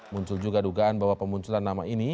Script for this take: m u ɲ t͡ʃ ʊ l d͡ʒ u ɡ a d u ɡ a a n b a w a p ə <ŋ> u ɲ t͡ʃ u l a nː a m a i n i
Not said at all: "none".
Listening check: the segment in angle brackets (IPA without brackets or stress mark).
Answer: m